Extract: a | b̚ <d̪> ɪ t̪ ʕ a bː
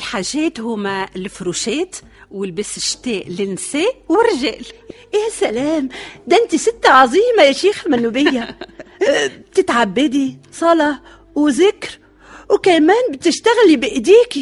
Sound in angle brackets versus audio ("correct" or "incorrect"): incorrect